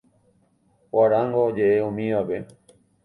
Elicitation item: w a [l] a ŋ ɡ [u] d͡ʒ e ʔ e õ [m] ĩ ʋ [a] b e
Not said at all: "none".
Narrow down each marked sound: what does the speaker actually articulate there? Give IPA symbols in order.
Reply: ɾ, o, m, a

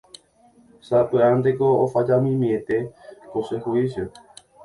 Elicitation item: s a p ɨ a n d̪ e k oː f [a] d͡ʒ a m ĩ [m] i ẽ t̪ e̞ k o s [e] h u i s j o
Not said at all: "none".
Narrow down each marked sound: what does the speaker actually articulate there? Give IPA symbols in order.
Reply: a, m, e

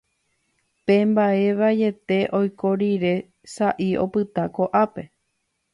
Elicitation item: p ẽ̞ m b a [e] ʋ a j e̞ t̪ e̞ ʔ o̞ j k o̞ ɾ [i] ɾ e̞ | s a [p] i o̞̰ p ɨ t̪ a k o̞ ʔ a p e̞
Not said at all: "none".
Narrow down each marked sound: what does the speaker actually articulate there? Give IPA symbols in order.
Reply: e, i, ʔ

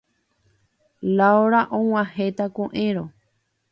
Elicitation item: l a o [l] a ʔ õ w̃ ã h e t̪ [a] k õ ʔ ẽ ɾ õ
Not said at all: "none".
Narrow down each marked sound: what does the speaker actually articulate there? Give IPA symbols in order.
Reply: ɾ, a

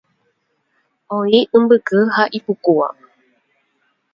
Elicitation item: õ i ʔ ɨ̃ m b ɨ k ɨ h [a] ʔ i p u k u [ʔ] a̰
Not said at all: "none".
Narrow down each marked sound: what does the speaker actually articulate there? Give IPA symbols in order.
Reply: a, none

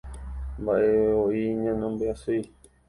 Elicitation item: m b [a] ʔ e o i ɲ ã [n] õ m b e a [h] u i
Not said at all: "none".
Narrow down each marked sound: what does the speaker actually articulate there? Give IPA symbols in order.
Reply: a, n, s

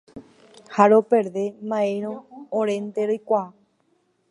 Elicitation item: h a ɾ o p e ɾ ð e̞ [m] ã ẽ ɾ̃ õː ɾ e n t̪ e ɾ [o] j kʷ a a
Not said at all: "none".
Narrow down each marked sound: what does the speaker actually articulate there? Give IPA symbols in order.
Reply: m, o

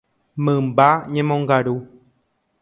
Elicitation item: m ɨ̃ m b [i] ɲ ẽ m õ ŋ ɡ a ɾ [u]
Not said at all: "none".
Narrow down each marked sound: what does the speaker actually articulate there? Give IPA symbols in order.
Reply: a, u

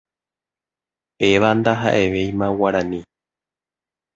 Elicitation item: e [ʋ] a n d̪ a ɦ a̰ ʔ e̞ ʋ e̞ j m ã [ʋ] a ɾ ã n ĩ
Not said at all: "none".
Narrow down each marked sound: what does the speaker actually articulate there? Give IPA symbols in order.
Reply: ʋ, w

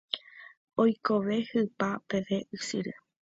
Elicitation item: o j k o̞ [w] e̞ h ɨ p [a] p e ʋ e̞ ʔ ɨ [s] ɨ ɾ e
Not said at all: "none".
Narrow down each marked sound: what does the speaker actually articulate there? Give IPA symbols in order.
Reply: ʋ, a, s

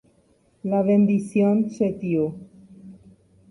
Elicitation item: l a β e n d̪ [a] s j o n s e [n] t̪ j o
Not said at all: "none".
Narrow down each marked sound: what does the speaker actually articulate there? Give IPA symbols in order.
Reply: i, none

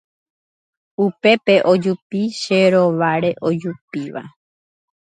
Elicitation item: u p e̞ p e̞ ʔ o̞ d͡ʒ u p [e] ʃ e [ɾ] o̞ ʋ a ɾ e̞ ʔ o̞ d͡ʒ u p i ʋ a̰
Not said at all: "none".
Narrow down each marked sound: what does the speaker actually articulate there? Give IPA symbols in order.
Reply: i, ɾ

